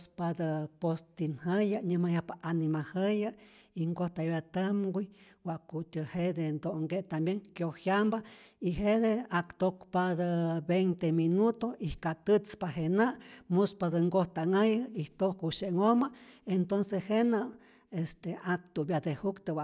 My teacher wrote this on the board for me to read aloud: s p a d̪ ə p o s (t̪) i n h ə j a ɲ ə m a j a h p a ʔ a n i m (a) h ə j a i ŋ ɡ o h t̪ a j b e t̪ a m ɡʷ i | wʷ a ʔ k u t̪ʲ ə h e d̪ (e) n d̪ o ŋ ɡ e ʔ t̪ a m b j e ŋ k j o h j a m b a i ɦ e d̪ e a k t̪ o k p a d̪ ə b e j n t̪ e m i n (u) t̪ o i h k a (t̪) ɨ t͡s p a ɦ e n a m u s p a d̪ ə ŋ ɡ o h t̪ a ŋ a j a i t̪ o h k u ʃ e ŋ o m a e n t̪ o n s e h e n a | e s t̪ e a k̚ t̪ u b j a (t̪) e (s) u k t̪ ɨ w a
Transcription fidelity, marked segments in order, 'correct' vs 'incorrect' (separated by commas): correct, correct, correct, correct, correct, incorrect, incorrect